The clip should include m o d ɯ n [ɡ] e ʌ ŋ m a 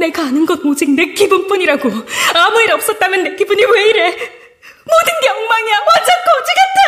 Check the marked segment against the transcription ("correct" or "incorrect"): correct